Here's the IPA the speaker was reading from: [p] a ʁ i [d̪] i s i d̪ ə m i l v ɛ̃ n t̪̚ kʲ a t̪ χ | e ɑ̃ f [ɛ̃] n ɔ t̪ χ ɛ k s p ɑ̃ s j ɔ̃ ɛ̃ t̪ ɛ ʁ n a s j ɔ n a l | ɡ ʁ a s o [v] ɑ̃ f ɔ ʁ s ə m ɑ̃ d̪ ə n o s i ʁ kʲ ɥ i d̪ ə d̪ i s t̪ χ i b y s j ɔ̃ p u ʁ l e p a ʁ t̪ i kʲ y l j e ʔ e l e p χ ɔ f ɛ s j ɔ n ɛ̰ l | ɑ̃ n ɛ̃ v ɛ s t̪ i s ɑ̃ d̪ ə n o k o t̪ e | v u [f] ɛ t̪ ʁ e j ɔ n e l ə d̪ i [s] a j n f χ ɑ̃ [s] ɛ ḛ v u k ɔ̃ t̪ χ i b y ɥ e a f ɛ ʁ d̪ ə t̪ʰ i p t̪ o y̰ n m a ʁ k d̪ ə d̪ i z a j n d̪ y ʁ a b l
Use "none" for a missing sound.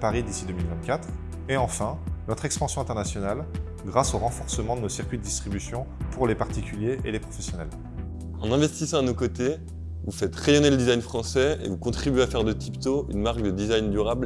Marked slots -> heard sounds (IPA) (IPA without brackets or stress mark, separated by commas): p, d̪, ɛ̃, ʁ, f, z, s